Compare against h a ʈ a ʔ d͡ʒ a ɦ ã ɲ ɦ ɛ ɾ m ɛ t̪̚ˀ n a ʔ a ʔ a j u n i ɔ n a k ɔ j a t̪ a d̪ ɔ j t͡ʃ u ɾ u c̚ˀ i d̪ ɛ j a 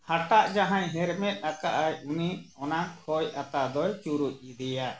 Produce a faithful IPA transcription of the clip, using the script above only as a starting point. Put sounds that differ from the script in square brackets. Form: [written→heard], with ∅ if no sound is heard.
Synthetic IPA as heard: h a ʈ a ʔ d͡ʒ a ɦ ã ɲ ɦ ɛ ɾ m ɛ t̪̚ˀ n a [ʔ→k] a ʔ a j u n i ɔ n a [k→kʰ] ɔ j a t̪ a d̪ ɔ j t͡ʃ u ɾ u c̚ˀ i d̪ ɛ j a